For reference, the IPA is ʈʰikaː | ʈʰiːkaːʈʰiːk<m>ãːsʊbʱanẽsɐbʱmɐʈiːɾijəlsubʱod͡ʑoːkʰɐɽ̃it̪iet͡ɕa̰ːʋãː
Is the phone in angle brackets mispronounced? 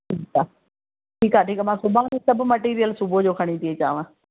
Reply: no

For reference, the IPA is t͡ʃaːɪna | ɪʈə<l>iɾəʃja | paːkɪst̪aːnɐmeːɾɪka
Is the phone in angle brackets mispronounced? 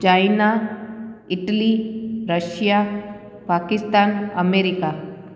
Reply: no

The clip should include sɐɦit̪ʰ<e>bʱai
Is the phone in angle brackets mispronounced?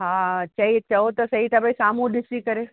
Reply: yes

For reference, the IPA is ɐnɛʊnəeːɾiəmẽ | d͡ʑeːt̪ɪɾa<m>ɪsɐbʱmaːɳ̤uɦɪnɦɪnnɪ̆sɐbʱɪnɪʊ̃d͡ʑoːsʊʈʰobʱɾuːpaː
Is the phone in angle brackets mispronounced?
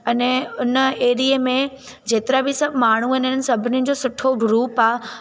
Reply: yes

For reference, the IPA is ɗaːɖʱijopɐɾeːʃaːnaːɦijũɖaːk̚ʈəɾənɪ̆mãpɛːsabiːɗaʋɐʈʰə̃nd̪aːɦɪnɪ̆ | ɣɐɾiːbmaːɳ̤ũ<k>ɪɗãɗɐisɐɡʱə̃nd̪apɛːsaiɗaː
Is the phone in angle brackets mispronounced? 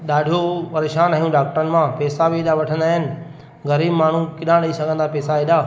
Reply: no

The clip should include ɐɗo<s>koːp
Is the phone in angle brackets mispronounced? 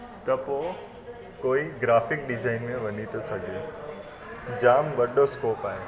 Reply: no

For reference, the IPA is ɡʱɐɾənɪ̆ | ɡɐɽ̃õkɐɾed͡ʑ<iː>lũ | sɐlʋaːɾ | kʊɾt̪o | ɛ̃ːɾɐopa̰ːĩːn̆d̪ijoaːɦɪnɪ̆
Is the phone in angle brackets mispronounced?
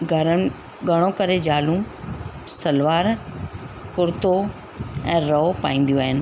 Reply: yes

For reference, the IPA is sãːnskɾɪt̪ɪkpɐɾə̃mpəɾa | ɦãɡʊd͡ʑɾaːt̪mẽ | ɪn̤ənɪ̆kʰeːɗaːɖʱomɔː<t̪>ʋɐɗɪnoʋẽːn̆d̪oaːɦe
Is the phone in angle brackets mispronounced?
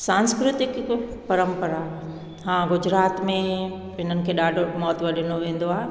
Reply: no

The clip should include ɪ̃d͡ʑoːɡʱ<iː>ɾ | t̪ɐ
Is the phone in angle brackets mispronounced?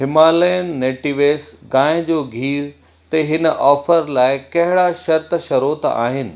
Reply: no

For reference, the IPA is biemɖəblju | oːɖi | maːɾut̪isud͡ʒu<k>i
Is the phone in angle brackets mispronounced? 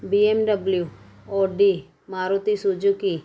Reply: no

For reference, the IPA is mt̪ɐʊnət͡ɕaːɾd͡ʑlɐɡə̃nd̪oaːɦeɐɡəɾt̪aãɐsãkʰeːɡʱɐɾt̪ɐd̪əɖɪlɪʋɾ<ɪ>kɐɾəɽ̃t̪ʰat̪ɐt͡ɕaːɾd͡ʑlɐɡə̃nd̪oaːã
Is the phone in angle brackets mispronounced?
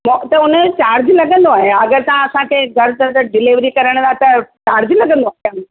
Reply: yes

